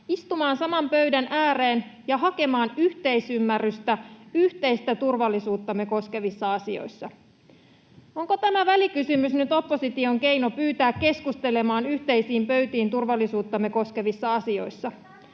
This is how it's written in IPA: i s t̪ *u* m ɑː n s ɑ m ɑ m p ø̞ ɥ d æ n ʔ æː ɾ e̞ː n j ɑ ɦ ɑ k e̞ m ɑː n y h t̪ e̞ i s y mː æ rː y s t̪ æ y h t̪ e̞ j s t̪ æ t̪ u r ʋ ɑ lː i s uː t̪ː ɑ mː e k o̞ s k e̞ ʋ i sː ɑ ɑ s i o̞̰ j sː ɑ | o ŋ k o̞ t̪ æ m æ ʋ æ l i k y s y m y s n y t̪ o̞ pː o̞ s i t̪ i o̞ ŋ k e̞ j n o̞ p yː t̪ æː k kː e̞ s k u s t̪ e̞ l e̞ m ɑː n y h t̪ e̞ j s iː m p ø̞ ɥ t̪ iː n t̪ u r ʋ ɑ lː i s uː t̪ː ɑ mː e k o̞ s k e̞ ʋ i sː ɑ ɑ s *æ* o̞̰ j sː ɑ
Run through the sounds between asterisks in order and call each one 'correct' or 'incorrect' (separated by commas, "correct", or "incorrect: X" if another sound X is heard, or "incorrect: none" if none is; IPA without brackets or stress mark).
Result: correct, incorrect: i